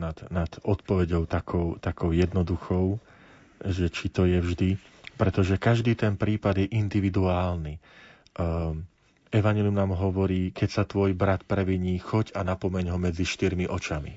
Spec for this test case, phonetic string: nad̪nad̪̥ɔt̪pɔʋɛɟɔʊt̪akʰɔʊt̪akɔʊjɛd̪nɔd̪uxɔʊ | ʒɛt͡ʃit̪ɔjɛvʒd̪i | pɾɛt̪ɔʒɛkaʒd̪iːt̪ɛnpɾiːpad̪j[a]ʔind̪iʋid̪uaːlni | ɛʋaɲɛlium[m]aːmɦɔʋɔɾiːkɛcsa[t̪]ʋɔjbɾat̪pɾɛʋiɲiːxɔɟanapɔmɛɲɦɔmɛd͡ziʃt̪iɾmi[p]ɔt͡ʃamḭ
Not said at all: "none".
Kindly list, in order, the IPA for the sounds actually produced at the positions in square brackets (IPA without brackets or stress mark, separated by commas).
ɛ, n, t̪, ʔ